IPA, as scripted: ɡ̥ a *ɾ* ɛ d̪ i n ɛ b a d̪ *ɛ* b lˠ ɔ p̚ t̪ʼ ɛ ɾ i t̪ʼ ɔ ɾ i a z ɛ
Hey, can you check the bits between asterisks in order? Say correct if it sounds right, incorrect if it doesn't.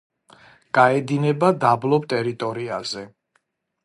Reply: incorrect, incorrect

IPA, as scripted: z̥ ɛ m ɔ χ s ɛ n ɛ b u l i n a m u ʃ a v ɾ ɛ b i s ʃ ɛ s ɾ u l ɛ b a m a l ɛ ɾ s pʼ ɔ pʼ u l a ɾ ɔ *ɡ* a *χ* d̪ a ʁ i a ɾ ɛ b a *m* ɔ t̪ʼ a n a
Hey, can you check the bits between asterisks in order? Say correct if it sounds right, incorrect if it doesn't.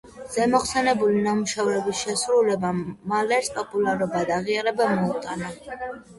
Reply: incorrect, incorrect, correct

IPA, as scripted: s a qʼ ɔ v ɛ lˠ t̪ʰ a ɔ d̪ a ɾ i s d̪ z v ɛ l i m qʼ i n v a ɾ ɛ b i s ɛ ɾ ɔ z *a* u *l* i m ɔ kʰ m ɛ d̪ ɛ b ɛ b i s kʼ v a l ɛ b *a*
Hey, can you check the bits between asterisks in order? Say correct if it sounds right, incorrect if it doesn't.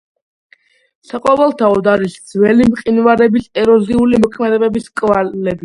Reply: incorrect, correct, incorrect

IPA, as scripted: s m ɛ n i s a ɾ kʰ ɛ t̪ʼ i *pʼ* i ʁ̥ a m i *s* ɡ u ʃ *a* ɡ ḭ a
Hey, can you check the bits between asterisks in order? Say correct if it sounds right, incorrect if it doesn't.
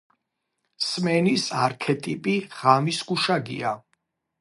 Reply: correct, correct, correct

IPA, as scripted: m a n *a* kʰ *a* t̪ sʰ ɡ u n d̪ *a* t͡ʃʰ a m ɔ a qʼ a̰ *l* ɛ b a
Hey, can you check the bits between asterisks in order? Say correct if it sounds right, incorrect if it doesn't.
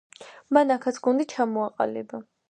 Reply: correct, correct, incorrect, correct

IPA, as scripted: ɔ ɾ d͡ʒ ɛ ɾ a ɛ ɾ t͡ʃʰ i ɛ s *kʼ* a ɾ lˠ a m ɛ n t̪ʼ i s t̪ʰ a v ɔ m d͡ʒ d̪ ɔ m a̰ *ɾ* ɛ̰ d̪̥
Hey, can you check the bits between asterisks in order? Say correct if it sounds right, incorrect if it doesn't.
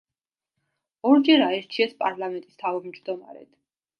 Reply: incorrect, correct

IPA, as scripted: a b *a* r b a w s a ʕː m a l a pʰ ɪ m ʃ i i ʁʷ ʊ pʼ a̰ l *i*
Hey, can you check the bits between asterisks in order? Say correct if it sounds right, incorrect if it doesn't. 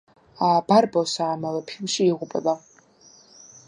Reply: correct, incorrect

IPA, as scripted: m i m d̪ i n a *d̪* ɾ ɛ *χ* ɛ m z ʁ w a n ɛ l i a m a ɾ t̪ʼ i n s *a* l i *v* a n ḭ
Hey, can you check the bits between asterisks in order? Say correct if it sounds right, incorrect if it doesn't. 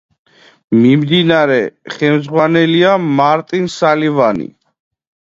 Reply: incorrect, correct, correct, correct

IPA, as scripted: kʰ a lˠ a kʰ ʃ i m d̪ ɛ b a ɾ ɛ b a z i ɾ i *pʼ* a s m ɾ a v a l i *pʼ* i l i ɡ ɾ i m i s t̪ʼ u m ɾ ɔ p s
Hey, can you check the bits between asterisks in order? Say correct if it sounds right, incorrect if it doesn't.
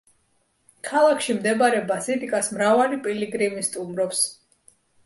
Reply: incorrect, correct

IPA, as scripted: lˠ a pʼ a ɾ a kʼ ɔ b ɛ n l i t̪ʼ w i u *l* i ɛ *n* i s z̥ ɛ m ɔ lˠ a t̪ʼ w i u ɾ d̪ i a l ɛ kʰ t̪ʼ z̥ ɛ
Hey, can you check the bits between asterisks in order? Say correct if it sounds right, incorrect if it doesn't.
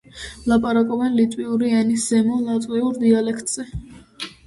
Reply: incorrect, correct

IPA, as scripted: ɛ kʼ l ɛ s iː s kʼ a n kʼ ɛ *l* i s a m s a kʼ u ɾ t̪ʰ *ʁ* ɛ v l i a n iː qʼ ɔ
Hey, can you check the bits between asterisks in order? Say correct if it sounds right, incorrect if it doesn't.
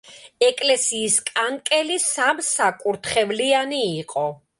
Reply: correct, incorrect

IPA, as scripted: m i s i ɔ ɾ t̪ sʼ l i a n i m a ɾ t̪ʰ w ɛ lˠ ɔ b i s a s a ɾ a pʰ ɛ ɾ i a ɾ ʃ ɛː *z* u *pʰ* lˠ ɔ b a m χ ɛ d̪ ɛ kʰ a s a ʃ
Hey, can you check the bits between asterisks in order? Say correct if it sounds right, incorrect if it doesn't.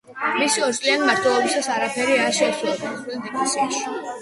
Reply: incorrect, incorrect

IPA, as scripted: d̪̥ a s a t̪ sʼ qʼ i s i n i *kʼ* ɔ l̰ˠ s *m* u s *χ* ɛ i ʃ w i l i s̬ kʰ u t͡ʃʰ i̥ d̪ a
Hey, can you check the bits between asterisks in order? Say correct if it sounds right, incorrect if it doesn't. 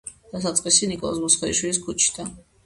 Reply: correct, correct, correct

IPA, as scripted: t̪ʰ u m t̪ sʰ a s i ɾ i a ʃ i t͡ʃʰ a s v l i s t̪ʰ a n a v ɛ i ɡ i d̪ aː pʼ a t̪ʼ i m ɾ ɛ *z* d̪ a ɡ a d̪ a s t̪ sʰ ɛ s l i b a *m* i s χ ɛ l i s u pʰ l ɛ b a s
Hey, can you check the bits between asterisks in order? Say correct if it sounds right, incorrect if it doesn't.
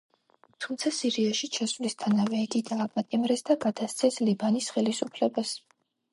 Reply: incorrect, incorrect

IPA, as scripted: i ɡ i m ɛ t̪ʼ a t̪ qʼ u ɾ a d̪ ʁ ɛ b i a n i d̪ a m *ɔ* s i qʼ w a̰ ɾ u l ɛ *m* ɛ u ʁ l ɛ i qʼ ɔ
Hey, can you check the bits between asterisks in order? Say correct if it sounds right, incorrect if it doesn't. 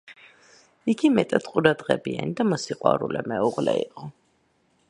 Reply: correct, correct

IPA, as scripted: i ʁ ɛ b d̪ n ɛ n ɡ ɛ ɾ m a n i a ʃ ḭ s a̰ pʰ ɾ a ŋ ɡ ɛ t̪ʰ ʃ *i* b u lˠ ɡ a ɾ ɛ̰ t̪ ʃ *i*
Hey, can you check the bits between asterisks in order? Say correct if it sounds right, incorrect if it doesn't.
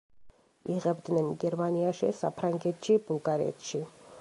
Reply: correct, correct

